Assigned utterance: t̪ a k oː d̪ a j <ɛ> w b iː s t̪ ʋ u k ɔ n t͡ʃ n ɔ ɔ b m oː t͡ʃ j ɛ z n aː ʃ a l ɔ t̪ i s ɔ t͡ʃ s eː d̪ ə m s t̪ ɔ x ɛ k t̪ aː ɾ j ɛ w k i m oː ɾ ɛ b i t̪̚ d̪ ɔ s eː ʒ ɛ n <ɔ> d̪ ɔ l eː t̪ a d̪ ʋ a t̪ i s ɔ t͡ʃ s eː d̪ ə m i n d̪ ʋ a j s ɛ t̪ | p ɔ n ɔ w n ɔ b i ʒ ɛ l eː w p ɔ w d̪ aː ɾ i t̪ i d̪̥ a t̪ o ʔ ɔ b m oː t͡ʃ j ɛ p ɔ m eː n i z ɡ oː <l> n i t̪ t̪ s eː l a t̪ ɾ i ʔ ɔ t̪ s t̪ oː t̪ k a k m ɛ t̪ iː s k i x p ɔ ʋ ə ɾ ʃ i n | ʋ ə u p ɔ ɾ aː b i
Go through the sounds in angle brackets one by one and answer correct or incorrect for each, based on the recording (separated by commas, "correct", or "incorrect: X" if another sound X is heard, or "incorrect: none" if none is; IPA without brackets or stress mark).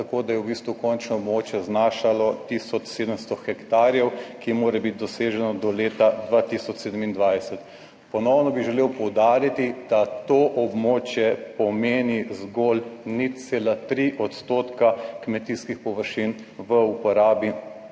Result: correct, correct, correct